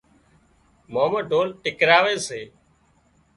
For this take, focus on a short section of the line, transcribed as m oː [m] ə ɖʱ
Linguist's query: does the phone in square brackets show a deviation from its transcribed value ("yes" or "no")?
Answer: no